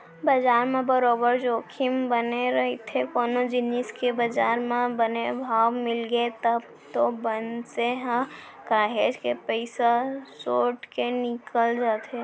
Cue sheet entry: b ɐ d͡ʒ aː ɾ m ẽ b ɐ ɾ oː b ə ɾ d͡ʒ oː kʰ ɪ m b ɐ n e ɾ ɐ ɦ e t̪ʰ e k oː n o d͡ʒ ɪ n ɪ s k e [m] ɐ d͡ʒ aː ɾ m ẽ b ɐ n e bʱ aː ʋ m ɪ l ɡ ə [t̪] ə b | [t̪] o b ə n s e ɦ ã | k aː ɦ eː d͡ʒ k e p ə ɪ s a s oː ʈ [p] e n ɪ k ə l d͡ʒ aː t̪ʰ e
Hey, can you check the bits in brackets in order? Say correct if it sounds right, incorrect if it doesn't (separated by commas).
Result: incorrect, correct, correct, incorrect